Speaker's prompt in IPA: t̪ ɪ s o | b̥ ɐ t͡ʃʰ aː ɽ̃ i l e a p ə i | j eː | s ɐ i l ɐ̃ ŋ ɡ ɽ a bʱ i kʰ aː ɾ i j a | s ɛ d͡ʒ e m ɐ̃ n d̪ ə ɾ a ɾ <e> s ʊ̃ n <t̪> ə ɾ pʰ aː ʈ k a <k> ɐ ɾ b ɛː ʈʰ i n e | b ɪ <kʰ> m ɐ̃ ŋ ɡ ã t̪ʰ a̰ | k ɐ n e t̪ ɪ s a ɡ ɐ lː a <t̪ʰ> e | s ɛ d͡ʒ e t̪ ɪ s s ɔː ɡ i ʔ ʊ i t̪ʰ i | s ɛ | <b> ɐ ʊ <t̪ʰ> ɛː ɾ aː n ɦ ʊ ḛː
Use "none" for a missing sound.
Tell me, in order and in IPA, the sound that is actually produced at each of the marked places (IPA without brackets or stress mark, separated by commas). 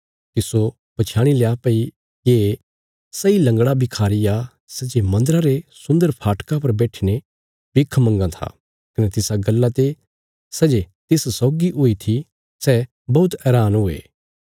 e, d̪, p, kʰ, t̪, b, t̪